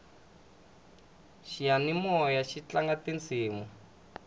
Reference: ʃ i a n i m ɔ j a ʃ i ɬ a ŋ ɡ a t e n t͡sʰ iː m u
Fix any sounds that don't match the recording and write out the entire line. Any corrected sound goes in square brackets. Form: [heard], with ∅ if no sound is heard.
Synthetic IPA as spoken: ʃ i a n i m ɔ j a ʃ i [t͡ɬ] a ŋ ɡ a t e n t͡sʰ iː m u